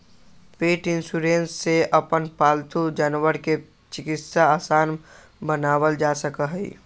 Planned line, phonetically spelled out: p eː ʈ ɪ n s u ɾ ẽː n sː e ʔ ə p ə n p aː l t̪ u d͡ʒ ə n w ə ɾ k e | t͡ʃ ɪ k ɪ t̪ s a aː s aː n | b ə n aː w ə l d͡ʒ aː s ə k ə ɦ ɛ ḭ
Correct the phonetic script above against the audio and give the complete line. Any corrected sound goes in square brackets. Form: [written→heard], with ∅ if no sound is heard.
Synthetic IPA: p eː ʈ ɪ n s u ɾ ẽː n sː e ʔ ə p ə n p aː l t̪ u d͡ʒ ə n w ə ɾ k e | t͡ʃ ɪ k ɪ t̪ s a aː s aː n | b ə n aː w ə l d͡ʒ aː s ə k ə ɦ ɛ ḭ